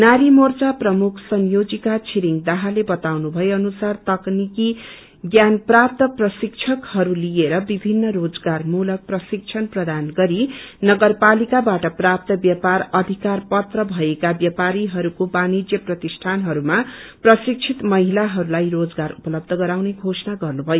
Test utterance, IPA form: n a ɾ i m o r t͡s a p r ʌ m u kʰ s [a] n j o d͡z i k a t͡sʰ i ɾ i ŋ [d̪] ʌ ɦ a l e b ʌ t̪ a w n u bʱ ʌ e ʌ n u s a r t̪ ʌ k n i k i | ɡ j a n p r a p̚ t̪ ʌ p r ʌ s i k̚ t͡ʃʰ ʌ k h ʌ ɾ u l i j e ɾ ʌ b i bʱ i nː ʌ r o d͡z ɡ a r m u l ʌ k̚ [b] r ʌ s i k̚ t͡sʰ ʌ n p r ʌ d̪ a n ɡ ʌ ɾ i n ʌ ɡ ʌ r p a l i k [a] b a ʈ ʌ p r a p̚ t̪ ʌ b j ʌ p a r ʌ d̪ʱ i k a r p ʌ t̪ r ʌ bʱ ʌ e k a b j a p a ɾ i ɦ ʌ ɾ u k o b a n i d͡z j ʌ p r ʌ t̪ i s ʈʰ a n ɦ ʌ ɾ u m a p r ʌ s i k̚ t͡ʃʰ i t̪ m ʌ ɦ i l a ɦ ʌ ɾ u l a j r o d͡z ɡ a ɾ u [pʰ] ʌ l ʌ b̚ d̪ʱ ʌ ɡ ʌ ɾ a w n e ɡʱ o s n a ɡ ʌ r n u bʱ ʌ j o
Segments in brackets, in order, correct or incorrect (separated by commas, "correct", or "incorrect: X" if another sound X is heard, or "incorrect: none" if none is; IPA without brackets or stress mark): incorrect: ʌ, correct, incorrect: p, correct, incorrect: p